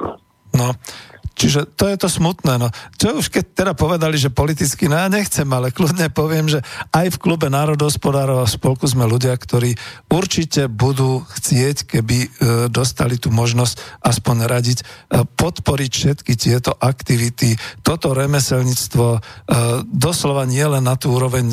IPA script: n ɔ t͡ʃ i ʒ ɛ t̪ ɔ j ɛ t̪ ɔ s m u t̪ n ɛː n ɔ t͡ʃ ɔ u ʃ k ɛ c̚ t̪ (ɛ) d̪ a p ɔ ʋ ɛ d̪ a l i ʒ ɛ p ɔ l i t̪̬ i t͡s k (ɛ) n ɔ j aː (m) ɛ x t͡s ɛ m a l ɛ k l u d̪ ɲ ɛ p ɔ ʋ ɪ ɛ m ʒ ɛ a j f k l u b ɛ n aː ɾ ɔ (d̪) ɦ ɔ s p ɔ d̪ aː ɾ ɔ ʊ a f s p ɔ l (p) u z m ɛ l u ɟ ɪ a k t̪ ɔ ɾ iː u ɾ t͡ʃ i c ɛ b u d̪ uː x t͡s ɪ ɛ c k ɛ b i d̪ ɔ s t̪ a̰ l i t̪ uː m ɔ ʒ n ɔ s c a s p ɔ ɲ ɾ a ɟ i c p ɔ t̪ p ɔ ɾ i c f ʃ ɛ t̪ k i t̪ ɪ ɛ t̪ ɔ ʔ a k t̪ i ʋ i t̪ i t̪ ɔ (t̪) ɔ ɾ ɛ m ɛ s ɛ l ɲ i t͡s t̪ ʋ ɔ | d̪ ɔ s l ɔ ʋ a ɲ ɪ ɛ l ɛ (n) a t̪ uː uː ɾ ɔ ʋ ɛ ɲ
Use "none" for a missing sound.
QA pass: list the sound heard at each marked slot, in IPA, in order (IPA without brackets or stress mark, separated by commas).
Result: ɛ, i, ɲ, d̪, k, t̪, nː